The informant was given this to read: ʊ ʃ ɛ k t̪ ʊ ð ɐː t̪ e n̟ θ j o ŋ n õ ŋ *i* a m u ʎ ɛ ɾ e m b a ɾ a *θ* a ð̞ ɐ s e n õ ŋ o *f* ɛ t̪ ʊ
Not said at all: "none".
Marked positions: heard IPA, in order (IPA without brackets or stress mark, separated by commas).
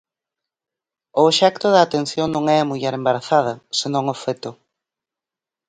ɛ, θ, f